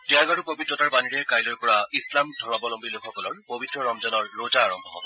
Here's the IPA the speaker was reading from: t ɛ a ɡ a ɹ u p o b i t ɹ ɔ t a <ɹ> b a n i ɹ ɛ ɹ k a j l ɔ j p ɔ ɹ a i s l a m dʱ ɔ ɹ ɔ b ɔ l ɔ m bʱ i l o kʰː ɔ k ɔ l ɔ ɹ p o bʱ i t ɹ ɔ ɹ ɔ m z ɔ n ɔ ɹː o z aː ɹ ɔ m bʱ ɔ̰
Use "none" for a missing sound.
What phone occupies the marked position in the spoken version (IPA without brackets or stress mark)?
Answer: ɹ